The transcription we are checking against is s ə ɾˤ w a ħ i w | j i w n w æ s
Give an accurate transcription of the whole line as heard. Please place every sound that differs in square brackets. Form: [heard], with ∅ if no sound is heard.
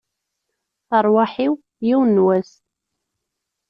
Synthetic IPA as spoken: [θ] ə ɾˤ w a ħ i w | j i w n w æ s